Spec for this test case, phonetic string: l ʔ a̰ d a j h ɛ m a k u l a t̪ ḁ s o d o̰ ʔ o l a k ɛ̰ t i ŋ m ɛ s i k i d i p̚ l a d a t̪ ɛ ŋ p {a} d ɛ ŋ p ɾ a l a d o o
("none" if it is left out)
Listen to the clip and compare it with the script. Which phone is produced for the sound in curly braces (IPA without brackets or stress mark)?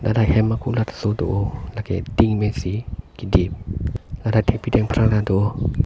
i